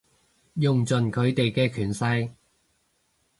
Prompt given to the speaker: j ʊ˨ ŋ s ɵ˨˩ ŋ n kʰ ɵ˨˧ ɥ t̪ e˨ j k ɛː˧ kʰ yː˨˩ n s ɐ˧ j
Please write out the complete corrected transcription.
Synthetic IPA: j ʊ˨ ŋ t͡s ɵ˨˩ n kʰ ɵ˨˧ ɥ t̪ e˨ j k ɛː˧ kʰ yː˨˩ n s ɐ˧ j